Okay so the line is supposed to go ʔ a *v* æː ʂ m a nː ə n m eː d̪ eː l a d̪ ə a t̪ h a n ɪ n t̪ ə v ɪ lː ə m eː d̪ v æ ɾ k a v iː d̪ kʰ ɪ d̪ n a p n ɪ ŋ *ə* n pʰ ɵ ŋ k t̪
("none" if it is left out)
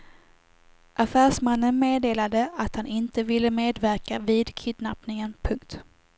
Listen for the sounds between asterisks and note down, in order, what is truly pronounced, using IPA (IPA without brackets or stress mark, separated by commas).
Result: f, ə